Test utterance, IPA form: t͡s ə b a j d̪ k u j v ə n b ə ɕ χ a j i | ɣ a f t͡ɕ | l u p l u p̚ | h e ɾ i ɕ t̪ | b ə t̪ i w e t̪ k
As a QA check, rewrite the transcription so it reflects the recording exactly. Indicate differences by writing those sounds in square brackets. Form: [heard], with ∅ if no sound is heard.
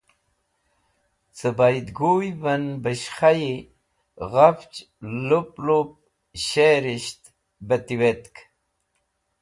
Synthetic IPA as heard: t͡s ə b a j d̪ [ɡ] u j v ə n b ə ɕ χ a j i | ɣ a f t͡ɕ | l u p l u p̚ | [ɕ] e ɾ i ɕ t̪ | b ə t̪ i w e t̪ k